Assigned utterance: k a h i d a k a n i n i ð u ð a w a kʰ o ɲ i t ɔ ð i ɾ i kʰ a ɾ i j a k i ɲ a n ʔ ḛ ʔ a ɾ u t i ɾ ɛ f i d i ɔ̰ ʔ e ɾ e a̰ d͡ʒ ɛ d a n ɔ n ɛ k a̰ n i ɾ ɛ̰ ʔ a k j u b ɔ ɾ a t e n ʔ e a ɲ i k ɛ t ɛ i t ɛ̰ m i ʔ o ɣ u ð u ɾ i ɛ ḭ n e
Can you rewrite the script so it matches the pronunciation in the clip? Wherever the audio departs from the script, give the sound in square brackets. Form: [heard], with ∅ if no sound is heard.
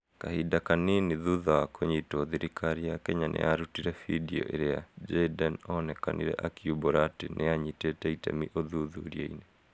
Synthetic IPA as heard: k a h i d a k a n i n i ð u ð a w a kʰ o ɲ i t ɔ ð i ɾ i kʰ a ɾ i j a k [ɛ] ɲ a n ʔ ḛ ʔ a ɾ u t i ɾ ɛ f i d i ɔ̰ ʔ e ɾ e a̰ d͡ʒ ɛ d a n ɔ n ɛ k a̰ n i ɾ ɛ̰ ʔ a k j u b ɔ ɾ a t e n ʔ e a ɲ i [t] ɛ t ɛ i t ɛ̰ m i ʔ o [ð] u ð u ɾ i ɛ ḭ n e